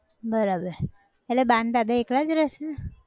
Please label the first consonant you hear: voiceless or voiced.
voiced